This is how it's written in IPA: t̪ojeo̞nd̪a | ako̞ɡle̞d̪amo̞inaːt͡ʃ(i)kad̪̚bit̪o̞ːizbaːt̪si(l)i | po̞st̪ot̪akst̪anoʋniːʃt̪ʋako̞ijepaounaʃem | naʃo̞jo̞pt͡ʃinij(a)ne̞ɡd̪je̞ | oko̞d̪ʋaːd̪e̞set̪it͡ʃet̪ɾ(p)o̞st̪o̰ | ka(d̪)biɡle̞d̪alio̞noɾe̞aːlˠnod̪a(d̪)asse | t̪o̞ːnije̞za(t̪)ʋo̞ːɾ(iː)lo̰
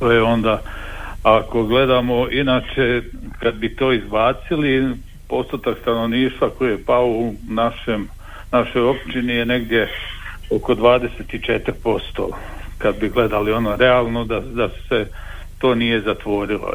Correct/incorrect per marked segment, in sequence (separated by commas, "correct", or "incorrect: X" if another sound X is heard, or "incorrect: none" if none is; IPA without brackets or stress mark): incorrect: e, correct, incorrect: e, correct, correct, correct, correct, incorrect: i